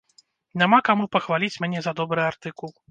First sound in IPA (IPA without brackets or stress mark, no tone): nʲ